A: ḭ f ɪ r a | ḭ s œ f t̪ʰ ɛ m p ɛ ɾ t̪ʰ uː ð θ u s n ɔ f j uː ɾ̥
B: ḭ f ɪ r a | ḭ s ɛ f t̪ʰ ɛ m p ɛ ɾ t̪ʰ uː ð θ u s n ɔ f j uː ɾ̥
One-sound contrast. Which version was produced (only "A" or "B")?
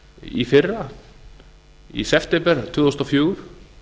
B